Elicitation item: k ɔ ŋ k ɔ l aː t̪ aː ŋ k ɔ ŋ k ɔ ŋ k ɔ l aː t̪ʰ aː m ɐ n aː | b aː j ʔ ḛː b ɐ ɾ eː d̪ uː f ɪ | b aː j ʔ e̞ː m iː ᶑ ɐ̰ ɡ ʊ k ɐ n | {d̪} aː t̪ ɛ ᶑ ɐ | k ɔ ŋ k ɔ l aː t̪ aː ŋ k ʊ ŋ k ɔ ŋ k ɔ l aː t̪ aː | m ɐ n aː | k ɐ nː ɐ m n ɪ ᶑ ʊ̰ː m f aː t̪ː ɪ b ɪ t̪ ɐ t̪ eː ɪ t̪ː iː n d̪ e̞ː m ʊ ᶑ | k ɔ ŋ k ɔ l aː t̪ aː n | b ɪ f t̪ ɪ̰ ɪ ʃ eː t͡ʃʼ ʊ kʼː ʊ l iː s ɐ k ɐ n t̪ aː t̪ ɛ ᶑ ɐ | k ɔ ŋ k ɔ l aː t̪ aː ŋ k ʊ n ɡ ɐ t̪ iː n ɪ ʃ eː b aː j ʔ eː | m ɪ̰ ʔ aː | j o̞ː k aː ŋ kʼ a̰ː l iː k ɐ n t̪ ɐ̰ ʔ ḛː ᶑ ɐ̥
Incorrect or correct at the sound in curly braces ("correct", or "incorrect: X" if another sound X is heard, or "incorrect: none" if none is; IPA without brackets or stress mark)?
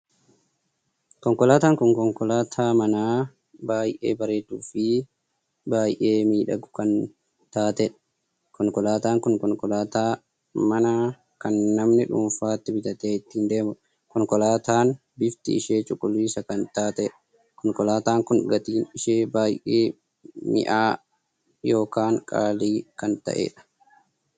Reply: incorrect: t̪